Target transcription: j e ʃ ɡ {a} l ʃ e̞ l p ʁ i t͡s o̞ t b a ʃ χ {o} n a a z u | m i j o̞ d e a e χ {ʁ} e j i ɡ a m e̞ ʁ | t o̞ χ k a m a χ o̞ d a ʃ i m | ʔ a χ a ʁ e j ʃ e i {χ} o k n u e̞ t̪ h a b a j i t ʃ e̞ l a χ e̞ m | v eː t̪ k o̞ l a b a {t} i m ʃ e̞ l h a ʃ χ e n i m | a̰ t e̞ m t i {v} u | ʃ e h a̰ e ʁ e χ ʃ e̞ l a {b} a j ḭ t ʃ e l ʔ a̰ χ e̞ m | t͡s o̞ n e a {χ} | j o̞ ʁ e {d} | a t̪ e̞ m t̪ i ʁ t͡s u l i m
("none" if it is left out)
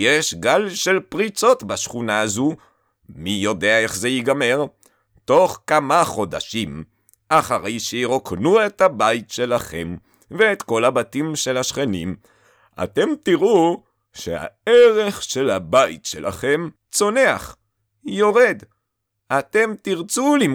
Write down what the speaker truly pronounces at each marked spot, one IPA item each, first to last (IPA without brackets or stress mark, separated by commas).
a, u, z, ʁ, t, ʁ, b, χ, d